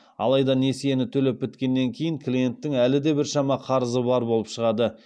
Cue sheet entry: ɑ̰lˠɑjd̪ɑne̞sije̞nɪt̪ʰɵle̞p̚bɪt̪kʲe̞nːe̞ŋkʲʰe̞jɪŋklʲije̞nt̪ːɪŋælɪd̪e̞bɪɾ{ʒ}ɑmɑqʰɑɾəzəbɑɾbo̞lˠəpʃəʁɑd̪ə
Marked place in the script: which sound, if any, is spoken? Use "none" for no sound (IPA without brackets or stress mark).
ʃ